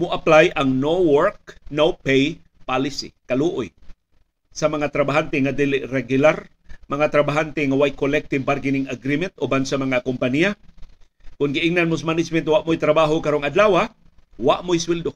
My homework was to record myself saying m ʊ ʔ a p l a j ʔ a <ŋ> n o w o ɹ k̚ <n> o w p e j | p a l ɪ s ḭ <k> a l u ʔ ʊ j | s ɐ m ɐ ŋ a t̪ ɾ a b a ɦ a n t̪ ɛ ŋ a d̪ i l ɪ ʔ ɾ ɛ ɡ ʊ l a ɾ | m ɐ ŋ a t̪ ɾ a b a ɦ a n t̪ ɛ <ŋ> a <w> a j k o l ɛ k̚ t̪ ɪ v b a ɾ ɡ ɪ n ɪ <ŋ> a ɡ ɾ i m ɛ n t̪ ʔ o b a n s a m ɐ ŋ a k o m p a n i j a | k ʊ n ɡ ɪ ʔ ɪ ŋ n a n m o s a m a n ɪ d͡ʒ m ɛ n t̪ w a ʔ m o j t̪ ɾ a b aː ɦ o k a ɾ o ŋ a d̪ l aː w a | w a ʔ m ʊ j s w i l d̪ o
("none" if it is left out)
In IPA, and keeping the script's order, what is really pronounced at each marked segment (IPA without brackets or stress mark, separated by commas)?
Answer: ŋ, n, k, ŋ, w, ŋ